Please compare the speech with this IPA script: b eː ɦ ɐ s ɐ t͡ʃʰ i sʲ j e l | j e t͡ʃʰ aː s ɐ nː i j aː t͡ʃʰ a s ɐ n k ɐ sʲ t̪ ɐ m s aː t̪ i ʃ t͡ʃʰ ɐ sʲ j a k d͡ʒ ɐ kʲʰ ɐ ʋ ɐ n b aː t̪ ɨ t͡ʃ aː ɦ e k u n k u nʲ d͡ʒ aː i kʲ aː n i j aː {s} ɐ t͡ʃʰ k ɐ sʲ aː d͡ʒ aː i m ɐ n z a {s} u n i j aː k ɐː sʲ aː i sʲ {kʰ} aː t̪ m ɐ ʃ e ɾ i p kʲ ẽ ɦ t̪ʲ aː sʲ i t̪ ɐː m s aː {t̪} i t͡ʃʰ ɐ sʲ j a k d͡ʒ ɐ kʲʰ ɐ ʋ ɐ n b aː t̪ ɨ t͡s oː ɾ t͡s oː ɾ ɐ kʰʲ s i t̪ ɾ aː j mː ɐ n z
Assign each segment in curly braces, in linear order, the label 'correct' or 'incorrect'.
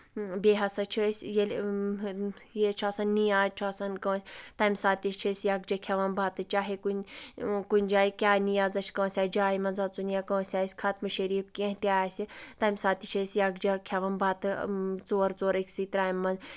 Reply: incorrect: z, incorrect: t͡s, correct, correct

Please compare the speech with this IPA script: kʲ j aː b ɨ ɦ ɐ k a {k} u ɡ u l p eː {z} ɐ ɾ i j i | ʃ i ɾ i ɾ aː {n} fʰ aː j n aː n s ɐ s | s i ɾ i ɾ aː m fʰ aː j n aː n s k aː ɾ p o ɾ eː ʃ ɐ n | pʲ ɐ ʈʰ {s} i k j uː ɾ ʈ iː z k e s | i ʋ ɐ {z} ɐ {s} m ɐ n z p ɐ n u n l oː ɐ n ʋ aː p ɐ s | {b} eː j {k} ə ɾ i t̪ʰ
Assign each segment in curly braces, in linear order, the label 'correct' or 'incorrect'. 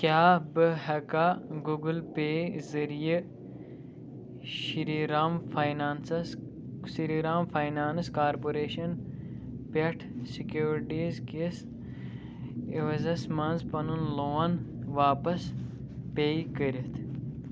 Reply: incorrect: ɡ, correct, incorrect: m, correct, correct, correct, incorrect: p, correct

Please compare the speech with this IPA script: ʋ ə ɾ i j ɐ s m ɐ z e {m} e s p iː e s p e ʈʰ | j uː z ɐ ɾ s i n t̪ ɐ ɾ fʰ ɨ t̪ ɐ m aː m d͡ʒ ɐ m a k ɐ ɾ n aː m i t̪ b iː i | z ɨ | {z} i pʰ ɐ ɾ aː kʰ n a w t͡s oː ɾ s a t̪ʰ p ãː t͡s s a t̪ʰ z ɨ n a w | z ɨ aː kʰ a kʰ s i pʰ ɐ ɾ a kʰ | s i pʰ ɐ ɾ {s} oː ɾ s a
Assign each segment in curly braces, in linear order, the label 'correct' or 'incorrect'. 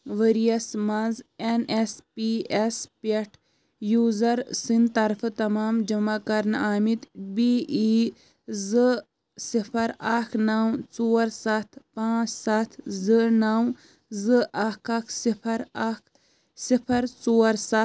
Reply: incorrect: n, incorrect: s, incorrect: t͡s

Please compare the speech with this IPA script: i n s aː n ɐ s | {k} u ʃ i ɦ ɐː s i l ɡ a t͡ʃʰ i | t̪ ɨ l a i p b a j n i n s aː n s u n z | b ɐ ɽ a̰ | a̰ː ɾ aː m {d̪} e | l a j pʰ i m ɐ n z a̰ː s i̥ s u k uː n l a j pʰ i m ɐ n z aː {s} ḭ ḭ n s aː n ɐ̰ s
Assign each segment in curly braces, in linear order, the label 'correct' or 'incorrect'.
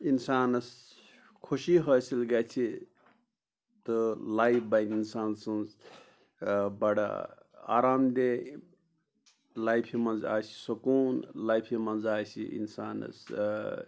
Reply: incorrect: kʰ, correct, correct

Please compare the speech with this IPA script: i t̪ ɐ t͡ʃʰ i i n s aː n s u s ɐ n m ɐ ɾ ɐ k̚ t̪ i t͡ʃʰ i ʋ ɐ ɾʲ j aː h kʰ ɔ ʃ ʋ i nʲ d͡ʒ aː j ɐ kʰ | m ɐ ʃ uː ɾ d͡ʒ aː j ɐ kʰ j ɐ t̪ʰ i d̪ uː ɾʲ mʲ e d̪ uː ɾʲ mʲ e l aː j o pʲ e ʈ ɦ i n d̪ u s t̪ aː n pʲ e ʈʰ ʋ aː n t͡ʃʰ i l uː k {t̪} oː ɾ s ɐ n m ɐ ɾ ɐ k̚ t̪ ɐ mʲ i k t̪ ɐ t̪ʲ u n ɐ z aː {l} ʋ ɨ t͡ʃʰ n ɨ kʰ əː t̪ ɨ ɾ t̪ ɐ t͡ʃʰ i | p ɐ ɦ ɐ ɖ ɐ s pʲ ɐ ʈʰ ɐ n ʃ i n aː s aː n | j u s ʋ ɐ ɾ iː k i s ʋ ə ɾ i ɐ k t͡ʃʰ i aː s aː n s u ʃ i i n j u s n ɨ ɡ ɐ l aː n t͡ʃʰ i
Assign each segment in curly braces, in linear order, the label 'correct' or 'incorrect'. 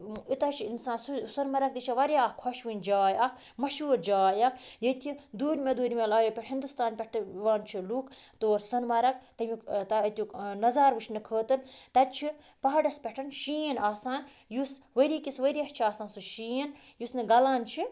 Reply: correct, incorrect: ɾ

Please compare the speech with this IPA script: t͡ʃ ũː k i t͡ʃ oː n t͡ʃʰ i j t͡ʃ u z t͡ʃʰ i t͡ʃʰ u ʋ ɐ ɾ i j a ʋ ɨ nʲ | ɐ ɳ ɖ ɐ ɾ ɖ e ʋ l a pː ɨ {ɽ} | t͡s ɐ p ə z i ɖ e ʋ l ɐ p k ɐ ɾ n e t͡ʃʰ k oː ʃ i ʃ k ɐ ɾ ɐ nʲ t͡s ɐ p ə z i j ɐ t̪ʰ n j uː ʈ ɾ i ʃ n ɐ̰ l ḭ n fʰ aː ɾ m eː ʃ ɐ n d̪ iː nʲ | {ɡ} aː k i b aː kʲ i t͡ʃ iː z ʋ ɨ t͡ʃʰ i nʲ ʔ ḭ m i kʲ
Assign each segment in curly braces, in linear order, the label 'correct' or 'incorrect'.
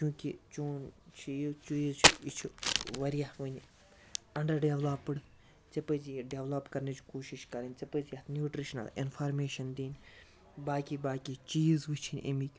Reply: correct, incorrect: b

